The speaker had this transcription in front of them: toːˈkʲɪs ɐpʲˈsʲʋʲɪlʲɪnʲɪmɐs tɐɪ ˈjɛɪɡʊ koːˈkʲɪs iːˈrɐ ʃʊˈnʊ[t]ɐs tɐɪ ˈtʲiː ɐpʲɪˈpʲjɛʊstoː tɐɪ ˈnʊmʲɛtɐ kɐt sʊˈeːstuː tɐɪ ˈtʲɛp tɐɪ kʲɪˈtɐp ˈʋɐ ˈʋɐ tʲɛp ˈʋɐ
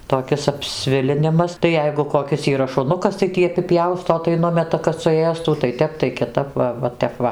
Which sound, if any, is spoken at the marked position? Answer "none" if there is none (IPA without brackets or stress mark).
k